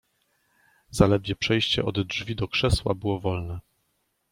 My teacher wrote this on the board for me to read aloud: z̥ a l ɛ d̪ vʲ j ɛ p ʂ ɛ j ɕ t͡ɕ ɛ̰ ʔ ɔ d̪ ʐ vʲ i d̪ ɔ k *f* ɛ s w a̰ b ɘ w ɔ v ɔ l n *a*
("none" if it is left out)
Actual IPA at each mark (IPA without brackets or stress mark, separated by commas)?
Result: ʂ, ɛ